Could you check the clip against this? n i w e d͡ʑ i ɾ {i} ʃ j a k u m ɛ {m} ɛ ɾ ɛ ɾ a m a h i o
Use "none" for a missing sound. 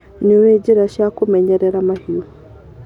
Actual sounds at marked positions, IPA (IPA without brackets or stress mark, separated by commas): a, ɲ